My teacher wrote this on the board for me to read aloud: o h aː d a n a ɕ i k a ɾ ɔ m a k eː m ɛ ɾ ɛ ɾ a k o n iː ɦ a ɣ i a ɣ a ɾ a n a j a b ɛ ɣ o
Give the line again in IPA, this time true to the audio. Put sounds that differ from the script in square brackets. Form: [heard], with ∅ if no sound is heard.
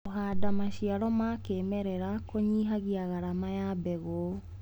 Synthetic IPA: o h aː d a [m] a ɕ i [∅] a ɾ ɔ m a k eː m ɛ ɾ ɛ ɾ a k o [ɲ] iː ɦ a ɣ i a ɣ a ɾ a [m] a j a b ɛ ɣ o

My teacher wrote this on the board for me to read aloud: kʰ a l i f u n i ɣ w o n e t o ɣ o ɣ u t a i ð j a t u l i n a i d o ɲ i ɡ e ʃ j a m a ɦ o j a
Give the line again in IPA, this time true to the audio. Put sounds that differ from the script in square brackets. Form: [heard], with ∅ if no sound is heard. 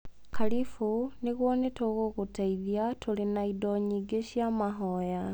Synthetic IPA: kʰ a l i f u n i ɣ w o n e t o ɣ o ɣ u t a i ð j a t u l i n a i d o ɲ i ɡ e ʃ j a m a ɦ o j a

